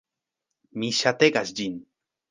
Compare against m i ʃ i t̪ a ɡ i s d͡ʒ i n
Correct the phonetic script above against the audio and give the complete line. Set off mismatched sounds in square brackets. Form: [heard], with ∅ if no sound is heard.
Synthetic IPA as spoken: m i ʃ [a] t̪ [e] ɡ [a] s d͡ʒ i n